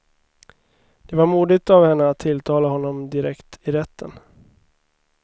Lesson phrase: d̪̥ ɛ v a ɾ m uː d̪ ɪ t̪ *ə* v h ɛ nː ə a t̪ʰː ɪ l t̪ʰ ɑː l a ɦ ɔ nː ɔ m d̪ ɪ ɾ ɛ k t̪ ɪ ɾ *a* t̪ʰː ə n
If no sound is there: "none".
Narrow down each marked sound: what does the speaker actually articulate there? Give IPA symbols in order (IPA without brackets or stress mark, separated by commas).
a, ɛ